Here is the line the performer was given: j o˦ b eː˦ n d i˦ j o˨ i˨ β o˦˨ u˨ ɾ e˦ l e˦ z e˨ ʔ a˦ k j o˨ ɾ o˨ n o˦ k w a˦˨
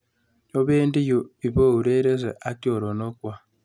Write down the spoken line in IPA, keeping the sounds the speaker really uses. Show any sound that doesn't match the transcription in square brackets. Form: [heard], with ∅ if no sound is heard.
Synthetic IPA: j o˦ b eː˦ n d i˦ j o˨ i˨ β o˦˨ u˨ ɾ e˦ [ɾ] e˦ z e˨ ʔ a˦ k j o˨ ɾ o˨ n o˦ k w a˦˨